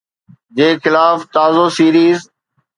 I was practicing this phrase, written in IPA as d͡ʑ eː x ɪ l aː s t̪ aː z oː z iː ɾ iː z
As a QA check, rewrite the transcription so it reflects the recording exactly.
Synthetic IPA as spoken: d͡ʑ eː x ɪ l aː f t̪ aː z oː s iː ɾ iː z